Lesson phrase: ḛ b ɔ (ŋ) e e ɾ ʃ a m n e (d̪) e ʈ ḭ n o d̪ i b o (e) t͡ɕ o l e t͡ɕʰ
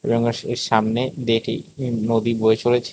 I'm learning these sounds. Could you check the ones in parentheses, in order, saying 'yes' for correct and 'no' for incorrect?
yes, yes, yes

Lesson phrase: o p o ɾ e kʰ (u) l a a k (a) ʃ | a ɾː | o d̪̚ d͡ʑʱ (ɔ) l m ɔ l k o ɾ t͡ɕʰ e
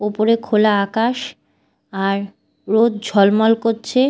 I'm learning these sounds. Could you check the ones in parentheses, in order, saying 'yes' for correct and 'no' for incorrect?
no, yes, yes

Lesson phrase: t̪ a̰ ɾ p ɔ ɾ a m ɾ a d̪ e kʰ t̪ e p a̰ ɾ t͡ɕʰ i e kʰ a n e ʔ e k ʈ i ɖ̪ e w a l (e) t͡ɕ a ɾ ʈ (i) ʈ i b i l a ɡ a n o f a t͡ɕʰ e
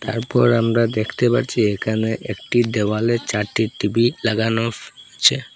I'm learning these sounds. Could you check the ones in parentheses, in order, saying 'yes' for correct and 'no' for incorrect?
yes, yes

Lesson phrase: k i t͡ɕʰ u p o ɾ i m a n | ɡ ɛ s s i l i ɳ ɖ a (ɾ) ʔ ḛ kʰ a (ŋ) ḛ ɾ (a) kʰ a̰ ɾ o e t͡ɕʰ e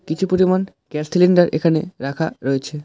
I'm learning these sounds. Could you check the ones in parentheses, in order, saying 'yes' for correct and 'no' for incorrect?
yes, no, yes

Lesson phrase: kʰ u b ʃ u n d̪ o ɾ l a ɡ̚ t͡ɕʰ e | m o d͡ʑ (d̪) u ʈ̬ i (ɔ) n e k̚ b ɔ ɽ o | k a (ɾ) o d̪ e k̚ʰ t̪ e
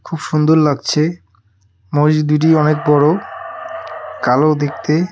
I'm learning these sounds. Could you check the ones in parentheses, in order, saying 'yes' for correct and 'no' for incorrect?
yes, yes, no

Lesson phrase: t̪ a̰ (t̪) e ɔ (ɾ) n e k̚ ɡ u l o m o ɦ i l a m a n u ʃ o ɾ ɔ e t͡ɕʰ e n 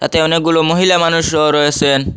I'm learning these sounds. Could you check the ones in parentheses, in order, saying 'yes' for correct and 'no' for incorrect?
yes, no

